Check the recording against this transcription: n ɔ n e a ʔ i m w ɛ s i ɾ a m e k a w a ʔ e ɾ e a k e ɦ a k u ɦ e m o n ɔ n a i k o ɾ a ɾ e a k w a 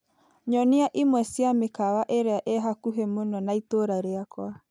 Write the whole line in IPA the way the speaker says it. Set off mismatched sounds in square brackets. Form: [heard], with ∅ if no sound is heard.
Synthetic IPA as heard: [ɲ] ɔ n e a ʔ i m w ɛ s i [∅] a m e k a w a ʔ e ɾ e a [ʔ] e ɦ a k u ɦ e m o n ɔ n a i [t] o ɾ a ɾ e a k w a